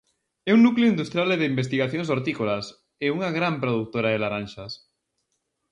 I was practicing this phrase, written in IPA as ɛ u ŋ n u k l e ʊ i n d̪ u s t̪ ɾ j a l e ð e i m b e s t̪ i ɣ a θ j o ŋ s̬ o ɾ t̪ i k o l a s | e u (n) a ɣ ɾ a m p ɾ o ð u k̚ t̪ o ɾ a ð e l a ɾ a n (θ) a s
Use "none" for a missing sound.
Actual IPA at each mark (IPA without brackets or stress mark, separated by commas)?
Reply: ŋ, ʃ